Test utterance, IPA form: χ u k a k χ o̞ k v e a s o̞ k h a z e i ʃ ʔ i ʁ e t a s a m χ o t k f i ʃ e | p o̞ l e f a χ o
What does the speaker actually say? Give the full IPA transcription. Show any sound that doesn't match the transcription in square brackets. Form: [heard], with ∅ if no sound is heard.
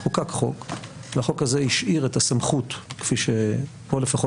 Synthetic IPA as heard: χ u k a k χ o̞ k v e a [χ] o̞ k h a z e i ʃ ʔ i ʁ e t a s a m χ [u] t k f i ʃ e | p o̞ l e f a χ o